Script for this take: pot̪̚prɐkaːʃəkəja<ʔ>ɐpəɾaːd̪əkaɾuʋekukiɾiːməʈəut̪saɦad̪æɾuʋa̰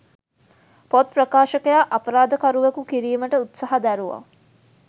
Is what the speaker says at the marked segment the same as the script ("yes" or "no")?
yes